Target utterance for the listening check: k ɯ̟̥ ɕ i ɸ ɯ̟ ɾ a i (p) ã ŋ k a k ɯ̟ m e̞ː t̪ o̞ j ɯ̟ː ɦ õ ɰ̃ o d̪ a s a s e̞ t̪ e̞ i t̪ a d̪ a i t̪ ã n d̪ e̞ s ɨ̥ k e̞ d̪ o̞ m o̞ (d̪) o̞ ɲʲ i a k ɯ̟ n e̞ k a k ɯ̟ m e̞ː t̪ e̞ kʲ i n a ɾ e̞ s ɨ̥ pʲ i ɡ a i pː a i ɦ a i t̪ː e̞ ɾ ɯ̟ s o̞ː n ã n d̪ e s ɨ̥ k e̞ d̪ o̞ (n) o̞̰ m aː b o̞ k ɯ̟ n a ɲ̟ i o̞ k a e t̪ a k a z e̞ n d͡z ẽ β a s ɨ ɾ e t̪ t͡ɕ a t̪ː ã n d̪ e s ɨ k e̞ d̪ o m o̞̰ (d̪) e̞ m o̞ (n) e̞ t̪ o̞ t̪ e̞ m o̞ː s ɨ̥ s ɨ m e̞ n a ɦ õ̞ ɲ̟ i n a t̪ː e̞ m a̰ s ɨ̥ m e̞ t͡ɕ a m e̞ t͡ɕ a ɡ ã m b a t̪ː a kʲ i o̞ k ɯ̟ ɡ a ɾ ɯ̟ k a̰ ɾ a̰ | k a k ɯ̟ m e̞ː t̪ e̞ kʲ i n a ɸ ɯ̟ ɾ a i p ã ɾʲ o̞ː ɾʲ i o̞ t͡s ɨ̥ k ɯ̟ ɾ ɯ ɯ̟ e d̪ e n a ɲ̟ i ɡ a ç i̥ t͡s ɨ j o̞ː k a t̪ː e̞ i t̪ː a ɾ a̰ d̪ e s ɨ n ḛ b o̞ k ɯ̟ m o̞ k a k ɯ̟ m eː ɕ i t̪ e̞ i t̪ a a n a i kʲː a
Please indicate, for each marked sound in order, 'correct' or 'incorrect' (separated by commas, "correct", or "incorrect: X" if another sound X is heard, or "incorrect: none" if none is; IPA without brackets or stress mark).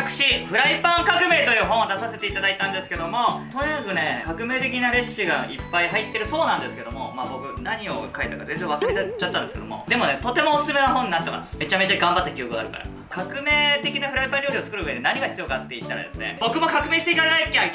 correct, incorrect: t̪, incorrect: m, correct, correct